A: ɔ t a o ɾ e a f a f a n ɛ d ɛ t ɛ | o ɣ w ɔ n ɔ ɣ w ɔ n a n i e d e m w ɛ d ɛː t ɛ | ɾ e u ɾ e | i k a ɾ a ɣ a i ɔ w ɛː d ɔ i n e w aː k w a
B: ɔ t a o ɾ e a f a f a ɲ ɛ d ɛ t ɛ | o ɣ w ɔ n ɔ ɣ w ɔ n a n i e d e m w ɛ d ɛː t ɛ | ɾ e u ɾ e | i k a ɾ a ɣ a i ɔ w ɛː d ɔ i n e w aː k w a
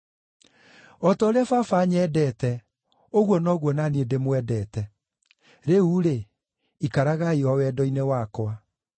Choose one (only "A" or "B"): B